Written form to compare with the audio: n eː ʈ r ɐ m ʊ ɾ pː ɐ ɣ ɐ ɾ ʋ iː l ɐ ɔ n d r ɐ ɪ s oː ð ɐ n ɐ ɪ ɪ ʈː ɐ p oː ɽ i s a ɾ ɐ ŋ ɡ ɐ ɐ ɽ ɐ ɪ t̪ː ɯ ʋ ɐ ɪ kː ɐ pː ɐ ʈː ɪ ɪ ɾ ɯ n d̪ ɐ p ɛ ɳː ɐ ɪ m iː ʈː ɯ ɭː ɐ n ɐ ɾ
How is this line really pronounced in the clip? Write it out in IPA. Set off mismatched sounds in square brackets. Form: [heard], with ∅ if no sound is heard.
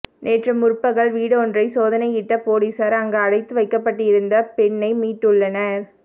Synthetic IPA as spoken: n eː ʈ r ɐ m ʊ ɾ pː ɐ ɣ ɐ [ɭ] ʋ iː [ɽ] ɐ ɔ n d r ɐ ɪ s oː ð ɐ n ɐ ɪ ɪ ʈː ɐ p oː ɽ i s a ɾ ɐ ŋ ɡ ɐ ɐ ɽ ɐ ɪ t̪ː ɯ ʋ ɐ ɪ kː ɐ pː ɐ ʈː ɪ ɪ ɾ ɯ n d̪ ɐ p ɛ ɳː ɐ ɪ m iː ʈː ɯ ɭː ɐ n ɐ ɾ